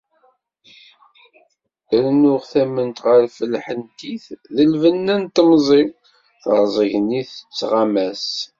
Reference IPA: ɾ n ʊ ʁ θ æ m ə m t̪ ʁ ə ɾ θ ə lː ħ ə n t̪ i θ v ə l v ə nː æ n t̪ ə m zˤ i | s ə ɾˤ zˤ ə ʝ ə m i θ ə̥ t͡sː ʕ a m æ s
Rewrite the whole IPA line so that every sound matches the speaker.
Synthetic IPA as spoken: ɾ n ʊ ʁ θ æ m ə n t̪ ʁ ə ɾ f ə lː ħ ə n t̪ i θ ð ə l v ə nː æ n t̪ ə m zˤ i | θ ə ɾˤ zˤ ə ʝ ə n i θ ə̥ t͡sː ʁ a m æ s